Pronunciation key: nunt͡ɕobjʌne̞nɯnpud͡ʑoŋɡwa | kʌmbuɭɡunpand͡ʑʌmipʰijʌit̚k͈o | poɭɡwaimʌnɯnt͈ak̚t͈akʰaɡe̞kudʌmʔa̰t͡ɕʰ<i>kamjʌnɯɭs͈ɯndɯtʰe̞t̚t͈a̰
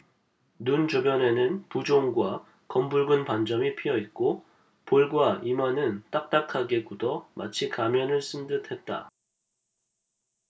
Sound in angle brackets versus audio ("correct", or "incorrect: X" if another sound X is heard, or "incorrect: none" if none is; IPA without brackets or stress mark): correct